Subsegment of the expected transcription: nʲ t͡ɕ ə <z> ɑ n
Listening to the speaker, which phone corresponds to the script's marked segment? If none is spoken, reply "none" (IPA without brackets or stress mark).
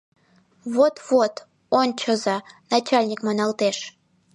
z